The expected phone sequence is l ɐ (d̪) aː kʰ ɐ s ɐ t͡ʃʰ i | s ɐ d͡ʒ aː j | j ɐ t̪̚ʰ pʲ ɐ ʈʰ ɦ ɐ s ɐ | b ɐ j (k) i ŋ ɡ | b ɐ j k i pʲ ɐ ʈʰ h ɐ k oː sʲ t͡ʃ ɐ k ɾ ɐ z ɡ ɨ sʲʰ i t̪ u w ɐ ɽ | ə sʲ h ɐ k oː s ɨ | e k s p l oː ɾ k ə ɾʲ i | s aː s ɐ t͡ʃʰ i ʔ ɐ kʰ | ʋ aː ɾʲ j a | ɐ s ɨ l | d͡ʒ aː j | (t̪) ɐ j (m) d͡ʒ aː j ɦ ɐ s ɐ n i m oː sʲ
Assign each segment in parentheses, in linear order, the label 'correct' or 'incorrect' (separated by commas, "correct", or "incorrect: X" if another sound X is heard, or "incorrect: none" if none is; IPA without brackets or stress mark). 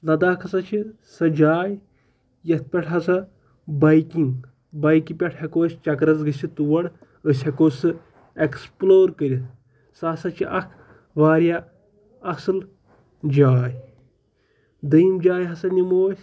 correct, correct, incorrect: d̪, correct